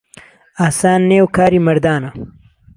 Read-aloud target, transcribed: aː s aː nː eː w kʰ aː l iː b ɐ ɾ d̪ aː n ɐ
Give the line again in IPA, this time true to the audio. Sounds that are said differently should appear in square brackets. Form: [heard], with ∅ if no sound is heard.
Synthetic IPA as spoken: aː s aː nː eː w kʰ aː [ɾ] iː [m] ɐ ɾ d̪ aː n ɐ